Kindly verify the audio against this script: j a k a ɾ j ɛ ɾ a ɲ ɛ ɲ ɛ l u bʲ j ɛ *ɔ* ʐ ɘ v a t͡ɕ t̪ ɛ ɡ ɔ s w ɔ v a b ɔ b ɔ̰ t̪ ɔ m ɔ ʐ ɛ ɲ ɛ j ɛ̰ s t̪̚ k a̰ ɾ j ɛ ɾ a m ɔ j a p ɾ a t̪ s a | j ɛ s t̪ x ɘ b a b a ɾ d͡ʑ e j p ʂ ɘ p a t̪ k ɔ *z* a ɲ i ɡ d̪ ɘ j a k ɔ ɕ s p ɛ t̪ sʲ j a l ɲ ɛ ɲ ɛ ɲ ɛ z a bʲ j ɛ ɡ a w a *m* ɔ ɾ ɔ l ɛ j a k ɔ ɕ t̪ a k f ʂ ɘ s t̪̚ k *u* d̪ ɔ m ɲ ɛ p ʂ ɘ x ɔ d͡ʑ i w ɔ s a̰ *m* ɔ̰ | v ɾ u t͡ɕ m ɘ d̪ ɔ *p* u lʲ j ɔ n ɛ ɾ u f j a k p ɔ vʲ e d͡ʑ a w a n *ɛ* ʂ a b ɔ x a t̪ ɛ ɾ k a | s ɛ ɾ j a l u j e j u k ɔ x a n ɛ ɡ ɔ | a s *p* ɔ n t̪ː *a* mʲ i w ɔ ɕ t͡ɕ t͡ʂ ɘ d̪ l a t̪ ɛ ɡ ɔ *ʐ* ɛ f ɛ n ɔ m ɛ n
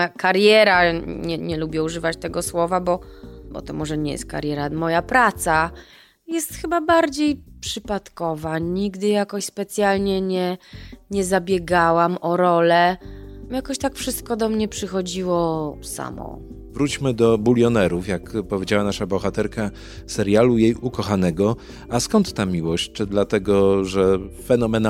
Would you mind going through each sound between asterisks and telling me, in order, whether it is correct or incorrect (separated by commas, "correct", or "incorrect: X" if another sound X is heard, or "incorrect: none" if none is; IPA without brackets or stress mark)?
incorrect: u, incorrect: v, correct, incorrect: ɔ, correct, incorrect: b, incorrect: a, incorrect: k, correct, correct